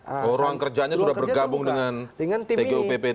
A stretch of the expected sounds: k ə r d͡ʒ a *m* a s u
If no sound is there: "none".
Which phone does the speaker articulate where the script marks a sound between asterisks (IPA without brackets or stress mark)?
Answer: ɲ